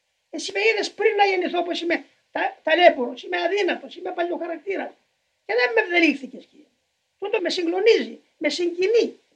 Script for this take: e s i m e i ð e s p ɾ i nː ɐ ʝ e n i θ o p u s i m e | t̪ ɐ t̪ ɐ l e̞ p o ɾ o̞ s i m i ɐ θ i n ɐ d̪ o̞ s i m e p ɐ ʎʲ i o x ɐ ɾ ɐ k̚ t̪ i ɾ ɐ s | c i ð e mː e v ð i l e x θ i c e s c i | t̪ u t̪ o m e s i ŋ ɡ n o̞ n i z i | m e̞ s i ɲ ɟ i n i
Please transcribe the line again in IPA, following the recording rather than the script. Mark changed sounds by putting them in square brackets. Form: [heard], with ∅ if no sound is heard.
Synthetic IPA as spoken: e s i m e i ð e s p ɾ i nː ɐ ʝ e n i θ o p [o] s i m e | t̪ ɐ t̪ ɐ l e̞ p o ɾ o̞ s i m [e] ɐ [ð] i n ɐ [t̪] o̞ s i m e p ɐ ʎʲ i o x ɐ ɾ ɐ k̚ t̪ i ɾ ɐ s | c [e] ð e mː e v ð [e] l [i] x θ i c e s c i | t̪ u t̪ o m e s i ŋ ɡ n o̞ n i z i | m e̞ s i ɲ ɟ i n i